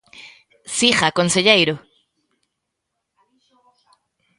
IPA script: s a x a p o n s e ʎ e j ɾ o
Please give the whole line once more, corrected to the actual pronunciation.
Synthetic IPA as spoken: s i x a k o n s e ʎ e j ɾ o